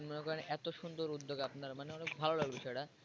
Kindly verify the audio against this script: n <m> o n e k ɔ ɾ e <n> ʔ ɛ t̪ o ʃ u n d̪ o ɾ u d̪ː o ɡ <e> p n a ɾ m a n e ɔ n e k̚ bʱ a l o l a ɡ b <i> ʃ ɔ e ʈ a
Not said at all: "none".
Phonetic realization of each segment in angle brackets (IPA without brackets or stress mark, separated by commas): m, n, a, i